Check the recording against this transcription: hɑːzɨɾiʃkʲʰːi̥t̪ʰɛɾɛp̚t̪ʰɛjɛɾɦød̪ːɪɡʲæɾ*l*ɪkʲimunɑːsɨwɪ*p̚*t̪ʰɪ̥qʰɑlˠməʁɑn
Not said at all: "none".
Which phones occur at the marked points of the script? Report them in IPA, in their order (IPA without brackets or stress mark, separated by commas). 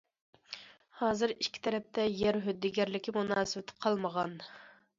l, none